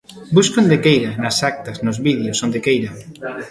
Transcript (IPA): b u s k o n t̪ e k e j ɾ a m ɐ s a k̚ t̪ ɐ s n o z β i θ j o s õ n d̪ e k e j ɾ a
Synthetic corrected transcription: b u s k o n d̪ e k e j ɾ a n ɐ s a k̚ t̪ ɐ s n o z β i ð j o s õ n d̪ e k e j ɾ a